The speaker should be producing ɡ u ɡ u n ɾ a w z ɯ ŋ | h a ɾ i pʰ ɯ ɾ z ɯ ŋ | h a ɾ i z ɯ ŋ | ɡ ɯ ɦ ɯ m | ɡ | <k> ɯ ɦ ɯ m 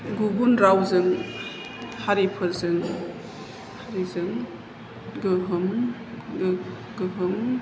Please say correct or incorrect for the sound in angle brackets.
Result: incorrect: ɡ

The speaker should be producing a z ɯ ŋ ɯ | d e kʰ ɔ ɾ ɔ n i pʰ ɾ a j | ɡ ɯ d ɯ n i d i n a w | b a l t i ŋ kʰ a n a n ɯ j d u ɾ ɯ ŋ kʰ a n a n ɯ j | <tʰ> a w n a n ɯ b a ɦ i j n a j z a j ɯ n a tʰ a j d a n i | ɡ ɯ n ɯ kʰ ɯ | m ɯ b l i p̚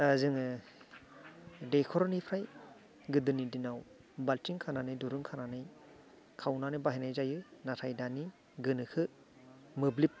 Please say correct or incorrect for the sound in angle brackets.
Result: incorrect: kʰ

